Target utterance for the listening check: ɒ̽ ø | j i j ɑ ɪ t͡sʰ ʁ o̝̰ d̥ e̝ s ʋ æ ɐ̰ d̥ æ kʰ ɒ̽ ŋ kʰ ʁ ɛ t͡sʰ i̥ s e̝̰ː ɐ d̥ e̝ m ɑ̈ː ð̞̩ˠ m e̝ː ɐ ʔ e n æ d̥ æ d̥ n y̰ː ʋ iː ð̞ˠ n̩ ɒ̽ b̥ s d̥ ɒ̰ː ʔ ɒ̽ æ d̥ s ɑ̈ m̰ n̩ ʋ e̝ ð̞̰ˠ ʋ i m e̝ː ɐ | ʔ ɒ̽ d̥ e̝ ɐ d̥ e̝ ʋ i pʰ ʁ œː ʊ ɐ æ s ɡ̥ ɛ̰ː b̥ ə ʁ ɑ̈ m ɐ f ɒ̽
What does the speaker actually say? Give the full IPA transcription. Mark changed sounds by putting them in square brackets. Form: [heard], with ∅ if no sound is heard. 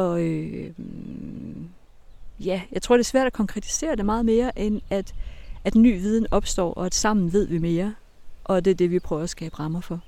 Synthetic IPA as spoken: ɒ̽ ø | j [æ] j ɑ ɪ t͡sʰ ʁ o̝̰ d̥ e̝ s ʋ æ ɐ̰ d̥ æ kʰ ɒ̽ ŋ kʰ ʁ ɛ t͡sʰ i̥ s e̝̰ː ɐ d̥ e̝ m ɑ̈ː ð̞̩ˠ m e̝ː ɐ ʔ e n æ d̥ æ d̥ n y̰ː ʋ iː ð̞ˠ n̩ ɒ̽ b̥ s d̥ ɒ̰ː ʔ ɒ̽ æ d̥ s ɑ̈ m̰ n̩ ʋ e̝ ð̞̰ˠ ʋ i m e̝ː ɐ | ʔ ɒ̽ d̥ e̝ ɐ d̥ e̝ ʋ i pʰ ʁ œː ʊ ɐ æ s ɡ̥ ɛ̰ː b̥ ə ʁ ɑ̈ m ɐ f ɒ̽